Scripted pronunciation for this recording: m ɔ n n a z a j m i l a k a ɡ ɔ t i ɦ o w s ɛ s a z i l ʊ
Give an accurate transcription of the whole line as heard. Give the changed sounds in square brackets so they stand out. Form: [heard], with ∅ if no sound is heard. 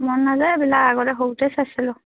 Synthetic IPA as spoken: m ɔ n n a z a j [b] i l a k a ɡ ɔ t [ɛ] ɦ o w [t] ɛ s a [s] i l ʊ